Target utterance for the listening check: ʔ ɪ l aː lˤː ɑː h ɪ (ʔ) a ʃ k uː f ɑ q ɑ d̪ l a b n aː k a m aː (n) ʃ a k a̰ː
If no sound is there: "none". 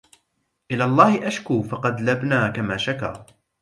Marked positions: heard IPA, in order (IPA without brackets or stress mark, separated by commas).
ʔ, none